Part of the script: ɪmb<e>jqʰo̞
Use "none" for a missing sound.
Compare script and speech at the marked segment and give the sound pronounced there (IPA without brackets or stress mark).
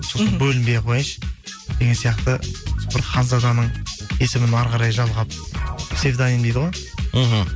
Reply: e